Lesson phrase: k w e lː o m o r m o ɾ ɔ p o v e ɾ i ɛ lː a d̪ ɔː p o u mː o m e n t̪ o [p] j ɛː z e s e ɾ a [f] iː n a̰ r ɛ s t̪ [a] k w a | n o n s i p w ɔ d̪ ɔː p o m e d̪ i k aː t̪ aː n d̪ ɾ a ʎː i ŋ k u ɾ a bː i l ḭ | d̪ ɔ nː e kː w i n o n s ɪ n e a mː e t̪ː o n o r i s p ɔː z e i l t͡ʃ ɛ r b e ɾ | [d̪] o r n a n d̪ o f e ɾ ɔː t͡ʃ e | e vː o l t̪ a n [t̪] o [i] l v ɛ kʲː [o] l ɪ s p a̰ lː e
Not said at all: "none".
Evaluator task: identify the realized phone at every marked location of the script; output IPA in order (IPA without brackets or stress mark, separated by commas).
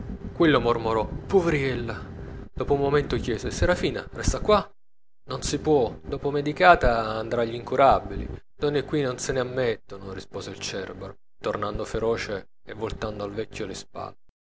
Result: k, f, a, t̪, d̪, a, o